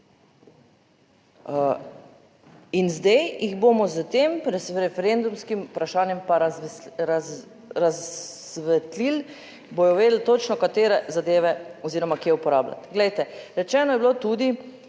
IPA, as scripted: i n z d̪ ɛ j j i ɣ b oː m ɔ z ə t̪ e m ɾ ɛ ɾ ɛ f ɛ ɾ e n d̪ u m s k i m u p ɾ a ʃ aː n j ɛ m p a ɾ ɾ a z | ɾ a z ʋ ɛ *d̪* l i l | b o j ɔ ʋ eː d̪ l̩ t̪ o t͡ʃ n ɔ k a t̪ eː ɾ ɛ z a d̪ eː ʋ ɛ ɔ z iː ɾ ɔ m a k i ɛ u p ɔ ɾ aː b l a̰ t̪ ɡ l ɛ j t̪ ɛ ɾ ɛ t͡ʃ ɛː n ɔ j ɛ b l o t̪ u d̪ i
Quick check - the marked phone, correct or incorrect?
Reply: incorrect